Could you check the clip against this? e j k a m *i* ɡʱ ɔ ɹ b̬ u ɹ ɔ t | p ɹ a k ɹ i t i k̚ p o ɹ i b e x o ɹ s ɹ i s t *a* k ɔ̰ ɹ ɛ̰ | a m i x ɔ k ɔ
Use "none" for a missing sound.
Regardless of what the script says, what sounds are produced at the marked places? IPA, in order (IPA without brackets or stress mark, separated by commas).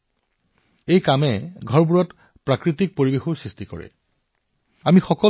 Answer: ɛ, i